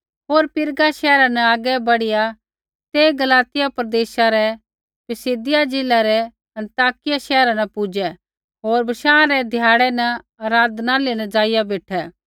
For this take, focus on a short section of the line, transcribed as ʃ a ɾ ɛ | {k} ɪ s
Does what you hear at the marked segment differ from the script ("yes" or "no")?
yes